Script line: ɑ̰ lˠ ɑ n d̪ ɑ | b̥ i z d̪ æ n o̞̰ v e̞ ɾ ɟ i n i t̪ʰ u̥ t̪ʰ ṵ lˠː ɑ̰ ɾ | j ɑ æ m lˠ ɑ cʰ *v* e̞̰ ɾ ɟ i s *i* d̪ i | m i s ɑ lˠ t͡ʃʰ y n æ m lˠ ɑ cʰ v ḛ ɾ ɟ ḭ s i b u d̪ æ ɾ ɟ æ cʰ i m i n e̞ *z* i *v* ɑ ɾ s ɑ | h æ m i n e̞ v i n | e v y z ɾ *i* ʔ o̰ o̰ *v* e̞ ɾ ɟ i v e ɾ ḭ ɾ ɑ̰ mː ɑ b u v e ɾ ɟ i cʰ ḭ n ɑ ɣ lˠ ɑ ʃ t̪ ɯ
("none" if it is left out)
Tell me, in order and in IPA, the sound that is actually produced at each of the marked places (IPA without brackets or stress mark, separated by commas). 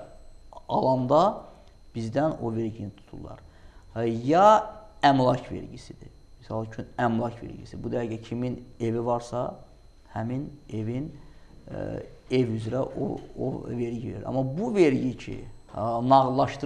v, i, v, v, æ, v